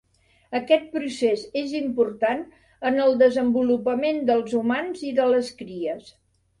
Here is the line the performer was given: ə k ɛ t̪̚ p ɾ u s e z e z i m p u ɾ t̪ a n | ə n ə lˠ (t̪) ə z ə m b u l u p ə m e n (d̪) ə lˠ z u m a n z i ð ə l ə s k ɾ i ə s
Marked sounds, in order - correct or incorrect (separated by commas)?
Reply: incorrect, correct